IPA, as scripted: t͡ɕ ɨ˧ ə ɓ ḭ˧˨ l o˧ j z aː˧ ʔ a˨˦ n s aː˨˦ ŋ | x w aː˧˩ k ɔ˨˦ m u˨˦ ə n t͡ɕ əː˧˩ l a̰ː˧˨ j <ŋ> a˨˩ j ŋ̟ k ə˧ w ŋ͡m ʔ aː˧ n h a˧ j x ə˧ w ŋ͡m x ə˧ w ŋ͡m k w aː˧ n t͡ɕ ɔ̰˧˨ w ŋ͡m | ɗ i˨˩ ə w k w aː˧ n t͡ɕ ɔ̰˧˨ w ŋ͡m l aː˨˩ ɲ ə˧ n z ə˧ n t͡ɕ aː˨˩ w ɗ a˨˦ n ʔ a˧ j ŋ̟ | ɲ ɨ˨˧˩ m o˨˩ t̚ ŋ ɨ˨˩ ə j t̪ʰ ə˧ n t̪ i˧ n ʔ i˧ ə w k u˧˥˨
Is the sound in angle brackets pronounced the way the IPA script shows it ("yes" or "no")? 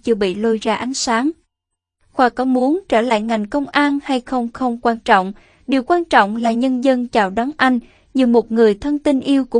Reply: yes